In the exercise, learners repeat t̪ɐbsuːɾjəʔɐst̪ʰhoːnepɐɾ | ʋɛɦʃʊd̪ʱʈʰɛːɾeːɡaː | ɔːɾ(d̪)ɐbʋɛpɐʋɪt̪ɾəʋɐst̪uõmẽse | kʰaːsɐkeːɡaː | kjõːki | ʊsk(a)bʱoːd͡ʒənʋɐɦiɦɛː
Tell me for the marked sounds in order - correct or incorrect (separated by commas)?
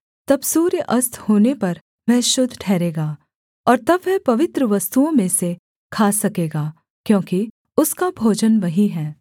incorrect, correct